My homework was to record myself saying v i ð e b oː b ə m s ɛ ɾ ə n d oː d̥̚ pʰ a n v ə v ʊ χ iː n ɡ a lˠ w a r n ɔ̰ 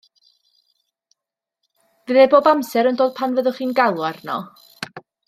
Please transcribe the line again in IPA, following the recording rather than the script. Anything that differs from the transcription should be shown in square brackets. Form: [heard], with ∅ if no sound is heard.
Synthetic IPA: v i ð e b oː b [a] m s ɛ ɾ ə n d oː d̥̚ pʰ a n v ə [ð] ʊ χ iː n ɡ a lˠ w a r n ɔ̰